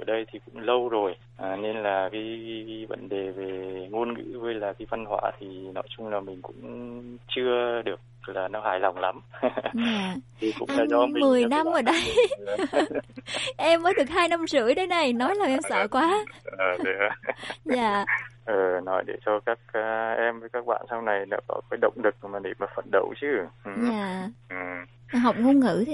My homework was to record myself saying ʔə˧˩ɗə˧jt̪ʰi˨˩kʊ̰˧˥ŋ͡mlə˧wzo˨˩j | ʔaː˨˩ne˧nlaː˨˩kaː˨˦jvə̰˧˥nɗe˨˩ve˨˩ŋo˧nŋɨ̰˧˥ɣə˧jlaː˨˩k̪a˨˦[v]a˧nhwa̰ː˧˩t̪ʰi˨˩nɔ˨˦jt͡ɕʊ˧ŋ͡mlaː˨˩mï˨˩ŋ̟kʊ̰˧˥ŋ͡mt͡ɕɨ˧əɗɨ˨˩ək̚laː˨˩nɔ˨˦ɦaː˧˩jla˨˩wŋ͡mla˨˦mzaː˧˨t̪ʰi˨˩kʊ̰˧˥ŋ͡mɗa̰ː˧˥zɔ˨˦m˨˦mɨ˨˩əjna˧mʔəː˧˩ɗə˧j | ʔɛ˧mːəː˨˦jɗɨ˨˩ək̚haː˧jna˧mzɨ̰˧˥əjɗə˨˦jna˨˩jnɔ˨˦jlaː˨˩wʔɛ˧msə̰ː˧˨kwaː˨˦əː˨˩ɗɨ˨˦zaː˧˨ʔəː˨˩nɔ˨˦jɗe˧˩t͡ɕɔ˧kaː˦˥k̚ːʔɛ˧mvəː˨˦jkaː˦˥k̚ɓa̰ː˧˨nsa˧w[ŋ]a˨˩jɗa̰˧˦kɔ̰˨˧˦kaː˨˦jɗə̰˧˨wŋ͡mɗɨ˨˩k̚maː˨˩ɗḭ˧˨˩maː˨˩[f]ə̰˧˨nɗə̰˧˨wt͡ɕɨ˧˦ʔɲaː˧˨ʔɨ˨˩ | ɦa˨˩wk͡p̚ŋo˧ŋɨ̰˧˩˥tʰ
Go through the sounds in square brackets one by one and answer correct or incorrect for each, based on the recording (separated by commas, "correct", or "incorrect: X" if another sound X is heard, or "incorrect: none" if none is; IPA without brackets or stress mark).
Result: correct, incorrect: n, correct